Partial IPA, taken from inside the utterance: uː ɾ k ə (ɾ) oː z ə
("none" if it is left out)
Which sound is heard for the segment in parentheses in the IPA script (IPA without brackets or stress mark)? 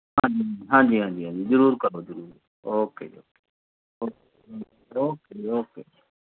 ɾ